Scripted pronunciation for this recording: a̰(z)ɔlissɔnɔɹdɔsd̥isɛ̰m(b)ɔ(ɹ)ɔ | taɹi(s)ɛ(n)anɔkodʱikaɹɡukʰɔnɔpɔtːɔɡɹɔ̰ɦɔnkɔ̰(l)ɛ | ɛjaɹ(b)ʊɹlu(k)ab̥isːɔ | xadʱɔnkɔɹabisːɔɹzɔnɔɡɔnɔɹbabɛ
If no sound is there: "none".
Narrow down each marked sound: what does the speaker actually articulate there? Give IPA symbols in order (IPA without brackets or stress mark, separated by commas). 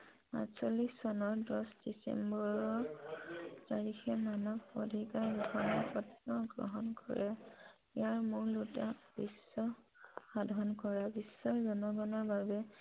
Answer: s, b, ɹ, x, m, ɹ, m, t